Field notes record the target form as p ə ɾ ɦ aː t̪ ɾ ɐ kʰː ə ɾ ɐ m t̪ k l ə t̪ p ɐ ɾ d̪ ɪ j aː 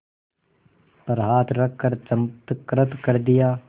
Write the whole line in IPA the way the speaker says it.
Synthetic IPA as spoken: p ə ɾ ɦ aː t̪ ɾ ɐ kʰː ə ɾ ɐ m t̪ k ɾ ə t̪ k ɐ ɾ d̪ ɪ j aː